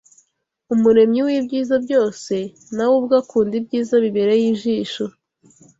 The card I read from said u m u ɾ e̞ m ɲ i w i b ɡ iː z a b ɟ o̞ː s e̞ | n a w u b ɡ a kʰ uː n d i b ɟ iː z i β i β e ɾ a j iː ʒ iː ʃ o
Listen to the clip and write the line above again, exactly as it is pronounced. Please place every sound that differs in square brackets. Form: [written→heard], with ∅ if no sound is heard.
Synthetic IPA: u m u ɾ e̞ m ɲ i w i b [ɡ→ɟ] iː z a b ɟ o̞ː s e̞ | n a w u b ɡ a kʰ uː n d i b ɟ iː z [i→a] β i β e ɾ [a→e] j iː ʒ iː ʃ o